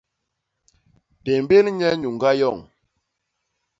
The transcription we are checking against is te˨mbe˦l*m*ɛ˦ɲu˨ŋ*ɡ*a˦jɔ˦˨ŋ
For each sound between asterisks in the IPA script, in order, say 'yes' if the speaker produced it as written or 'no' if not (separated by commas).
no, yes